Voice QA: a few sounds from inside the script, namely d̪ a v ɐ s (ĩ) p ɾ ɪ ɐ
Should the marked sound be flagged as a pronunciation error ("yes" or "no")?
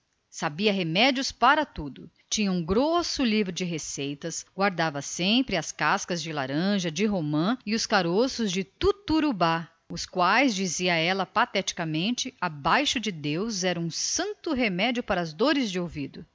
yes